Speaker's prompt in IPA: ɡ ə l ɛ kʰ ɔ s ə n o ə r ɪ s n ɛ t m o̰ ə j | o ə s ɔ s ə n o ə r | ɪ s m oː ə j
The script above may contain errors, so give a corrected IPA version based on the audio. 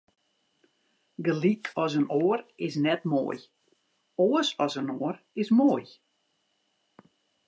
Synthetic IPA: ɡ ə l i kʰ ɔ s ə n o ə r ɪ s n ɛ t m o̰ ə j | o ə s ɔ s ə n o ə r | ɪ s m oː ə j